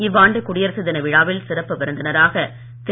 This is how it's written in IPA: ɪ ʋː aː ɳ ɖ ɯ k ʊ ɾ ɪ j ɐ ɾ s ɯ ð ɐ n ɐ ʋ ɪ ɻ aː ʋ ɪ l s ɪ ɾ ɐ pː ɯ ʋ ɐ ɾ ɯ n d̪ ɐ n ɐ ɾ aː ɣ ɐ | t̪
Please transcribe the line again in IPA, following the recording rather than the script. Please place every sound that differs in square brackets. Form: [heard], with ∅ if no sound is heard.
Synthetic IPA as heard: ɪ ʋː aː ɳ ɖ ɯ k ʊ [ɽ] ɪ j ɐ ɾ s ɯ ð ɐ n ɐ ʋ ɪ ɻ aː ʋ ɪ l s ɪ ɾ ɐ pː ɯ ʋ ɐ ɾ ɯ n d̪ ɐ n ɐ ɾ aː ɣ ɐ | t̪